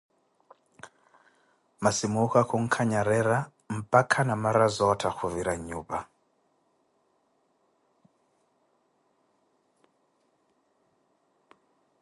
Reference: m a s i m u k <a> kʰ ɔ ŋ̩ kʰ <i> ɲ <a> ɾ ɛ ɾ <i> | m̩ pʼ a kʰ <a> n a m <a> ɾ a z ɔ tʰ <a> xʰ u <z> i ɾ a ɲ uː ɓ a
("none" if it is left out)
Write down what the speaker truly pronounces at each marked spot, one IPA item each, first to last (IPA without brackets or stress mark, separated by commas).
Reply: a, a, a, a, a, a, a, v